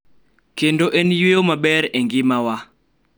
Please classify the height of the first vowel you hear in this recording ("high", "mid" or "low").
mid